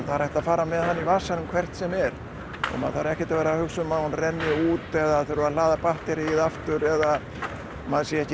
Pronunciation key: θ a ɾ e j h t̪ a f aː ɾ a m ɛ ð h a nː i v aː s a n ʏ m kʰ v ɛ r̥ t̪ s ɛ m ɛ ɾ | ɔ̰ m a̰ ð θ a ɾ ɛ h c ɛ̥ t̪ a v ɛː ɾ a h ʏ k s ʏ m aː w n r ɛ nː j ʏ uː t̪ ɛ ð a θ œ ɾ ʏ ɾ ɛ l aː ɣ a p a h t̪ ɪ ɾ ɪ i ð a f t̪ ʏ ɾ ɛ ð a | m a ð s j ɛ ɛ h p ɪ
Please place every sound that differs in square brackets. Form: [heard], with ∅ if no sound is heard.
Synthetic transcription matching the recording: θ a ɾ [a] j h t̪ a f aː ɾ a m ɛ ð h a nː i v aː s a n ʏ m kʰ v ɛ r̥ t̪ s ɛ m ɛ ɾ | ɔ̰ m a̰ ð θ a ɾ ɛ h c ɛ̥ t̪ a v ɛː ɾ a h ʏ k s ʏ m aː w n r ɛ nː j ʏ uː t̪ ɛ ð a θ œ ɾ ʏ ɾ [a] l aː [ð] a p a h t̪ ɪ ɾ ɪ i ð a f t̪ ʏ ɾ ɛ ð a | m a ð s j ɛ ɛ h [c] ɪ